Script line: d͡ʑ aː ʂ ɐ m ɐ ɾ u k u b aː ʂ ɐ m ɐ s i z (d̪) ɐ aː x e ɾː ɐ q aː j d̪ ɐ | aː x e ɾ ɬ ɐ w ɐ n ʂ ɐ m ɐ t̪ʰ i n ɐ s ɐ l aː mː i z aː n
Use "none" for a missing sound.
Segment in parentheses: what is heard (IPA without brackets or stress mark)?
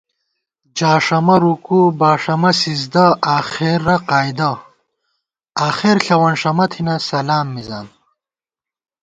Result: d̪